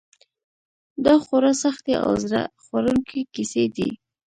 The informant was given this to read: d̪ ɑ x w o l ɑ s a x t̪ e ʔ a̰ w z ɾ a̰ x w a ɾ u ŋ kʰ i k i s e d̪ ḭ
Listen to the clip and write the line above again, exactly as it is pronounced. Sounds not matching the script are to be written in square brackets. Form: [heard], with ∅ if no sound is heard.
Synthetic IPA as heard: d̪ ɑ x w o [ɾ] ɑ s a x t̪ e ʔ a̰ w z ɾ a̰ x w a ɾ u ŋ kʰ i k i s e d̪ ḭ